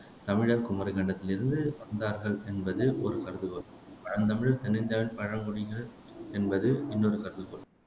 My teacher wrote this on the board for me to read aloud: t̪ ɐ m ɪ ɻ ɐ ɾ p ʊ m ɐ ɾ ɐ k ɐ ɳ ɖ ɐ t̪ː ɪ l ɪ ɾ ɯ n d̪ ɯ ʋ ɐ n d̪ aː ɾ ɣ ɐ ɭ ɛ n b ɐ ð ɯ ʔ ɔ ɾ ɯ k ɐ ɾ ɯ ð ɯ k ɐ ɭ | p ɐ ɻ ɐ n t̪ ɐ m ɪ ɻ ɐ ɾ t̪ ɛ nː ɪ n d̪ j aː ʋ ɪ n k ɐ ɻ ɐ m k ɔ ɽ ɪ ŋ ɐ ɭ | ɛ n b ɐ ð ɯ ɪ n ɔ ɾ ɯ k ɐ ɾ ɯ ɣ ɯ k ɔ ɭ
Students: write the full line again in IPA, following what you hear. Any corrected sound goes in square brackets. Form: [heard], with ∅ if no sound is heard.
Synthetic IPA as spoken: t̪ ɐ m ɪ ɻ ɐ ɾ [k] ʊ m ɐ ɾ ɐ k ɐ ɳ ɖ ɐ t̪ː ɪ l ɪ ɾ ɯ n d̪ ɯ ʋ ɐ n d̪ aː ɾ ɣ ɐ ɭ ɛ n b ɐ ð ɯ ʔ ɔ ɾ ɯ k ɐ ɾ ɯ ð ɯ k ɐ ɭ | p ɐ ɻ ɐ n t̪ ɐ m ɪ ɻ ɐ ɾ t̪ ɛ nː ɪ n d̪ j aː ʋ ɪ n [p] ɐ ɻ ɐ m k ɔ ɽ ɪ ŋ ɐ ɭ | ɛ n b ɐ ð ɯ ɪ [nː] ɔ ɾ ɯ k ɐ ɾ ɯ [ð] ɯ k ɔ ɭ